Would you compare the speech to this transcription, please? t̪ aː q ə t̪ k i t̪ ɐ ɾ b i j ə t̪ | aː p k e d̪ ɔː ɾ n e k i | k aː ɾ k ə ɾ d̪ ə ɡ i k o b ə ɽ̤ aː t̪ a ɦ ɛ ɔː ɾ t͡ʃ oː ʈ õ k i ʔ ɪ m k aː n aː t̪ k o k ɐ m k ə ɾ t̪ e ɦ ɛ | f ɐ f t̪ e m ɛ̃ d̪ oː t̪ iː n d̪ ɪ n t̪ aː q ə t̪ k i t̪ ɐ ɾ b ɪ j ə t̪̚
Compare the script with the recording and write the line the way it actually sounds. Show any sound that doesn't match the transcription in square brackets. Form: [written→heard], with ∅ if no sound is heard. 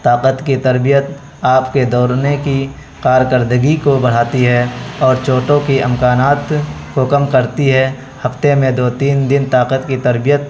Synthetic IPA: t̪ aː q ə t̪ k i t̪ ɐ ɾ b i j ə t̪ | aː p k e d̪ ɔː ɾ n e k i | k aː ɾ k ə ɾ d̪ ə ɡ i k o b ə ɽ̤ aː t̪ [a→i] ɦ ɛ ɔː ɾ t͡ʃ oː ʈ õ k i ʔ ɪ m k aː n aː t̪ k o k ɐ m k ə ɾ t̪ [e→i] ɦ ɛ | [f→h] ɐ f t̪ e m [ɛ̃→ẽ] d̪ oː t̪ iː n d̪ ɪ n t̪ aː q ə t̪ k i t̪ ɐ ɾ b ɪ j ə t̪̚